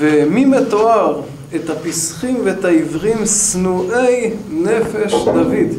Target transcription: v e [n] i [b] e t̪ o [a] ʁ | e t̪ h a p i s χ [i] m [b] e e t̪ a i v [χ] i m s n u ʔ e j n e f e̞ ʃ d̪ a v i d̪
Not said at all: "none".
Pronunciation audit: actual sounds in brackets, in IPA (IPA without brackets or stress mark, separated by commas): m, m, a, i, v, ʁ